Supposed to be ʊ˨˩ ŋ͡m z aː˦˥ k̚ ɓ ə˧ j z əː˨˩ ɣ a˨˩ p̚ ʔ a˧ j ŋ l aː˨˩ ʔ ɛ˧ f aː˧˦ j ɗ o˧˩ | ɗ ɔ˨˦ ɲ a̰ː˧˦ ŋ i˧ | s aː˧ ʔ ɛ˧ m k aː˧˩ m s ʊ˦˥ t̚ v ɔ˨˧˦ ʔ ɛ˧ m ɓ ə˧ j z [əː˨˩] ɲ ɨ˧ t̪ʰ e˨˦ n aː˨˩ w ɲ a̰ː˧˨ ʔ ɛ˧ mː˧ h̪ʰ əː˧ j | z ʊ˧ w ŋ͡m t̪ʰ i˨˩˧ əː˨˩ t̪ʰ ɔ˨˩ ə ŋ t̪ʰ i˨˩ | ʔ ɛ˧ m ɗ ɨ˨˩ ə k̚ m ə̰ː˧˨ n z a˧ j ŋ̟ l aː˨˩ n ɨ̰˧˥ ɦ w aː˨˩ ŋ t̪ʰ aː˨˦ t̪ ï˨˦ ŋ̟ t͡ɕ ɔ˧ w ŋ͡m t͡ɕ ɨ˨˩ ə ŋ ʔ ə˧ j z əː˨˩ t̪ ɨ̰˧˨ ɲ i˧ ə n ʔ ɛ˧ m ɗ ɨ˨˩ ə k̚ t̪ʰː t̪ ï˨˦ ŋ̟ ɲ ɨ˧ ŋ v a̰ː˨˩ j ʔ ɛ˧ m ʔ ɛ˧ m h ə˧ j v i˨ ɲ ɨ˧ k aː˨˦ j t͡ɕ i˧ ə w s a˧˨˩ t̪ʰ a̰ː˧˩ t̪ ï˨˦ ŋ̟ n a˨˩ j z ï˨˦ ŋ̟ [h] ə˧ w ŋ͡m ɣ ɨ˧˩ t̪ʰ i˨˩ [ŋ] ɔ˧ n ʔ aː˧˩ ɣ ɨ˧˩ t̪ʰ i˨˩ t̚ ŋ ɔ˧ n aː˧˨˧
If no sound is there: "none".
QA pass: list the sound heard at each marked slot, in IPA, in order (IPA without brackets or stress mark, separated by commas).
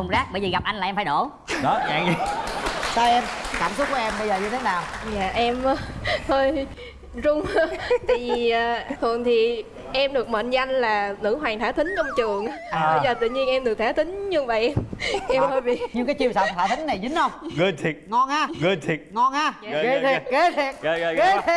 əː˨˩, h, ŋ